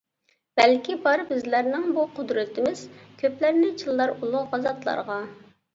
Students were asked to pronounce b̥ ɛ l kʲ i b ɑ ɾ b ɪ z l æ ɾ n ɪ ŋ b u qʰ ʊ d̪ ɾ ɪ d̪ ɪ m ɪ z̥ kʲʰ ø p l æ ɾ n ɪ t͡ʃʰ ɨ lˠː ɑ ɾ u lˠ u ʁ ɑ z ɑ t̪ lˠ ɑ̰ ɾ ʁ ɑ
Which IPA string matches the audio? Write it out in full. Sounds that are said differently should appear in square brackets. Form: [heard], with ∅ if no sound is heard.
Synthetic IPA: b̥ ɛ l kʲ i b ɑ ɾ b ɪ z l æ ɾ n ɪ ŋ b u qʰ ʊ d̪ ɾ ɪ [t̪] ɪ m ɪ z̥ kʲʰ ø p l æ ɾ n ɪ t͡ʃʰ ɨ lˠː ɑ ɾ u lˠ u ʁ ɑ z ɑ t̪ lˠ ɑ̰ ɾ ʁ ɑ